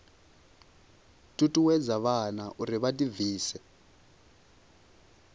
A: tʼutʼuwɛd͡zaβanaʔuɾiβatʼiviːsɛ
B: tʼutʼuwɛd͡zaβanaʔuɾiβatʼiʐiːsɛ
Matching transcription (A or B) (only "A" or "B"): A